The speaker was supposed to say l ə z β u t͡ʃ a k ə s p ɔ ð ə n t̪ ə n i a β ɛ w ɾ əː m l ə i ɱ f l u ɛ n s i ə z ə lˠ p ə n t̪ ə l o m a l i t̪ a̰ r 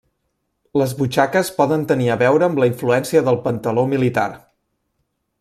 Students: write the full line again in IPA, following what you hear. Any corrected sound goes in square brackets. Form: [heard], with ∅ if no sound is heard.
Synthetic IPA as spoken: l ə z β u t͡ʃ a k ə s p ɔ ð ə n t̪ ə n i [ə] β ɛ w ɾ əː m l ə i ɱ f l u ɛ n s i ə [ð] ə lˠ p ə n t̪ ə l o m [i] l i t̪ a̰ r